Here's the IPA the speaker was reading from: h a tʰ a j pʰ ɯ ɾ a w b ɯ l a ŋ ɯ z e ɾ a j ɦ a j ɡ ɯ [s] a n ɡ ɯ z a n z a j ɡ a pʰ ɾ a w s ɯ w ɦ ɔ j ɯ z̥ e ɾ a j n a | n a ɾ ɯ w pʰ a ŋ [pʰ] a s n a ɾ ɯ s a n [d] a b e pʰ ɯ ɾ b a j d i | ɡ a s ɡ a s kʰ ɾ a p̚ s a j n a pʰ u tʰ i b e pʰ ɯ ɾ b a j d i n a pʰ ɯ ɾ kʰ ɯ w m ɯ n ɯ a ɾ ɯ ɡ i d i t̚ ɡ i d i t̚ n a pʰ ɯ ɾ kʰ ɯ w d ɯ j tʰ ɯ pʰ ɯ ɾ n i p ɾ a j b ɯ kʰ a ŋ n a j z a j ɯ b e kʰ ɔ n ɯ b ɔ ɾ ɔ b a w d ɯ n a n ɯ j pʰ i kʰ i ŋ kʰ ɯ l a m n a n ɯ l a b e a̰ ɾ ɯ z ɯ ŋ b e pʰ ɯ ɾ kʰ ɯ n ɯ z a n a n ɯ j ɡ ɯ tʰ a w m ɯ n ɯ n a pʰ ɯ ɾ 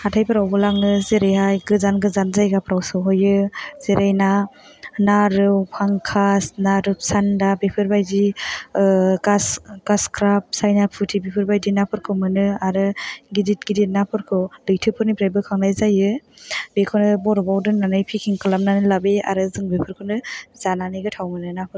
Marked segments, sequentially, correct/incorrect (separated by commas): incorrect, incorrect, correct